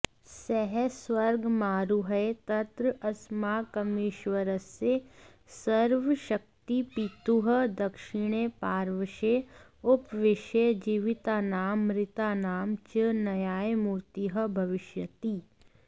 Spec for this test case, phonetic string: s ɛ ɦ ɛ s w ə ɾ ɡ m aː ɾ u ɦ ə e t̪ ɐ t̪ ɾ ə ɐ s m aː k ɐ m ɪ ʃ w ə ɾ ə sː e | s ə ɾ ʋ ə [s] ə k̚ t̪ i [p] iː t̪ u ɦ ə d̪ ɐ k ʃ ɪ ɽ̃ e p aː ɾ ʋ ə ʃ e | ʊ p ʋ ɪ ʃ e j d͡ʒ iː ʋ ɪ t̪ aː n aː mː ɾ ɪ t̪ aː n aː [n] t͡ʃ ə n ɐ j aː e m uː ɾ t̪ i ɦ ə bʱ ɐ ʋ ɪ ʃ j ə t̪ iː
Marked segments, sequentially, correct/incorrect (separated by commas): incorrect, correct, incorrect